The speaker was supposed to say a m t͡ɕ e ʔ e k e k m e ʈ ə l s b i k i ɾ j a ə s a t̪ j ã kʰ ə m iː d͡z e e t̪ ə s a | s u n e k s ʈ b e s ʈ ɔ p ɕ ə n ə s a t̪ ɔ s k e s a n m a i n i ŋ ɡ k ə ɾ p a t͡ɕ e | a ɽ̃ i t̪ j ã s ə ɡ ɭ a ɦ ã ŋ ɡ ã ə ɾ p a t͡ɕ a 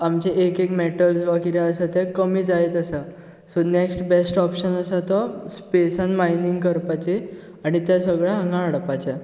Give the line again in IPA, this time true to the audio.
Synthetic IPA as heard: a m t͡ɕ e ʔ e k e k m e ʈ ə l s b a k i ɾ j a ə s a t̪ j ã k ə m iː d͡z a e t̪ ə s a | s o n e k s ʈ b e s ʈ ɔ p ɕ ə n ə s a t̪ ɔ s p e s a n m a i n i ŋ ɡ k ə ɾ p a t͡ɕ e | a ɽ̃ i t̪ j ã s ə ɡ ɭ a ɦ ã ŋ ɡ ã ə ɽ p a t͡ɕ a